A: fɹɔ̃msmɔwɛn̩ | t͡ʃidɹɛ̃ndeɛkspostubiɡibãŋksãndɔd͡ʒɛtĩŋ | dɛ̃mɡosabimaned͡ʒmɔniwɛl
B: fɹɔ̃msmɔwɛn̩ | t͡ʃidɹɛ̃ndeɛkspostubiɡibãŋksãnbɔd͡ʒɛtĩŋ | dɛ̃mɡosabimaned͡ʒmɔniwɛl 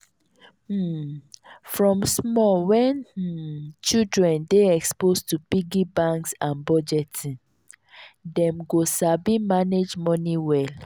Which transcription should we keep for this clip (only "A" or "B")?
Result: B